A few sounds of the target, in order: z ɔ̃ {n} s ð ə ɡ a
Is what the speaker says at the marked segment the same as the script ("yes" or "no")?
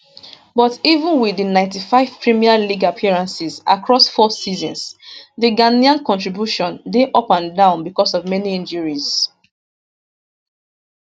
yes